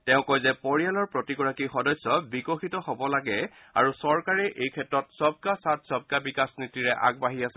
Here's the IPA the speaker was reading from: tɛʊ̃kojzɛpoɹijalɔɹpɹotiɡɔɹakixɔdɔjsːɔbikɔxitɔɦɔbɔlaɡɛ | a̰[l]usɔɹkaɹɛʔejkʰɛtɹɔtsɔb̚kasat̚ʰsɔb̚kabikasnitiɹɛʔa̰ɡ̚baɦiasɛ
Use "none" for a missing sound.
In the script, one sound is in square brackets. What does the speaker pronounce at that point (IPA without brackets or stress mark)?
ɹ